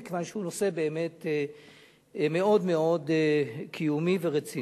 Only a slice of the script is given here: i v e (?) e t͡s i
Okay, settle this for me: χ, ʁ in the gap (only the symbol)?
ʁ